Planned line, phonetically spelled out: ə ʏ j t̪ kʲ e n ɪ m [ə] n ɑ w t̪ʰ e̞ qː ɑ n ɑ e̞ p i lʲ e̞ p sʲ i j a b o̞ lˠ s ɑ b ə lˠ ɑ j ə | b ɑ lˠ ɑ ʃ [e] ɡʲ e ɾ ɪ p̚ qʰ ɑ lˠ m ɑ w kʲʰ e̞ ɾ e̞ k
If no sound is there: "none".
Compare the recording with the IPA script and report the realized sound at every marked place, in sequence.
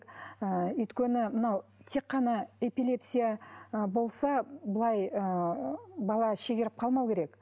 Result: ə, e

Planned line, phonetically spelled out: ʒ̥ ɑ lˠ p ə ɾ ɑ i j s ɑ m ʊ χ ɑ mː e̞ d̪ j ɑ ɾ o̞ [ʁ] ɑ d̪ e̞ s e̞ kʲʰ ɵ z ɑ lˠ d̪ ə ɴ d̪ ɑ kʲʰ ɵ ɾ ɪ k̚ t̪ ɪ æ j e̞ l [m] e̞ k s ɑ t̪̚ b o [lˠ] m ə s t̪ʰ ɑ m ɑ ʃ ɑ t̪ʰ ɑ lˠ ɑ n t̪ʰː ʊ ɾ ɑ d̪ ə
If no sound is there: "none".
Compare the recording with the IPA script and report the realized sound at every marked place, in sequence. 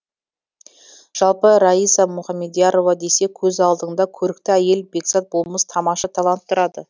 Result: v, b, lˠ

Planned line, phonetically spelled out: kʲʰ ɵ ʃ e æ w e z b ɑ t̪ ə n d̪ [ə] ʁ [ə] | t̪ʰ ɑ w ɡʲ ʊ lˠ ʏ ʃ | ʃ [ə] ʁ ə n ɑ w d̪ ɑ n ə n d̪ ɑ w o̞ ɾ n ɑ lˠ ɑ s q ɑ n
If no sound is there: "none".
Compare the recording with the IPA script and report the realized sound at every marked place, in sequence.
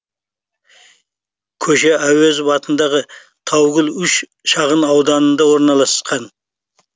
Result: ɑ, ə, ɑ

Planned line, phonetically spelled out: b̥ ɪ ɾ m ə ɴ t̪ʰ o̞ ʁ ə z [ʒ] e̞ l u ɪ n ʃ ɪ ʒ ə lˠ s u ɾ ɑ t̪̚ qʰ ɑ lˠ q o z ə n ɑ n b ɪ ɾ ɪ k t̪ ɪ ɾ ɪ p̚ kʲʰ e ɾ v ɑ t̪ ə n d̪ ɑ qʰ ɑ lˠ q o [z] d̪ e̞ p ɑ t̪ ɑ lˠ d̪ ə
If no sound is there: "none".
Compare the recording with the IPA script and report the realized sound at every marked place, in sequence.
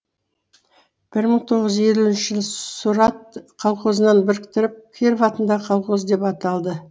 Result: ʒ, z

